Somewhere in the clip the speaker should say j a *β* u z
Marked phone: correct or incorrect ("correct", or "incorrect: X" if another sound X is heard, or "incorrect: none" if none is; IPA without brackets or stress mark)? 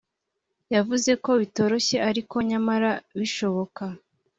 incorrect: v